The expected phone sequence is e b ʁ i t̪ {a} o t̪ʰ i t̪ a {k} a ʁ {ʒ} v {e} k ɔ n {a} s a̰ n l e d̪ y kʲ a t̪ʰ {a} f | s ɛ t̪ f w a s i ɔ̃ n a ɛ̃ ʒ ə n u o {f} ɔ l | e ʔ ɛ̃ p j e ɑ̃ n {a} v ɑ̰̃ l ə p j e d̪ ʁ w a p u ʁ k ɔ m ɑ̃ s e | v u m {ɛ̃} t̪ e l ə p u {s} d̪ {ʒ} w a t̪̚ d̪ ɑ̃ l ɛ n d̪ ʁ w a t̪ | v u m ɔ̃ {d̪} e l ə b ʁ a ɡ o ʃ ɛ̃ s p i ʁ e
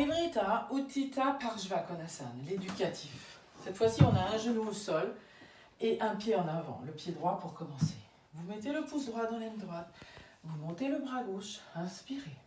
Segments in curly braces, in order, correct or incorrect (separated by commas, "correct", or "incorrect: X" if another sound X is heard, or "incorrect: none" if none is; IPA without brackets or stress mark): correct, incorrect: p, correct, incorrect: a, correct, incorrect: i, incorrect: s, correct, incorrect: ɛ, correct, incorrect: ʁ, incorrect: t̪